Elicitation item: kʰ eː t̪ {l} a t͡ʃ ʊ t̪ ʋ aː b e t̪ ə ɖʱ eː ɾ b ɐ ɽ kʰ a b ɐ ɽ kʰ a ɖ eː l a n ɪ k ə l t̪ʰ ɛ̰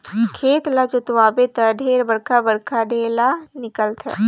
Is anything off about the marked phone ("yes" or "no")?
no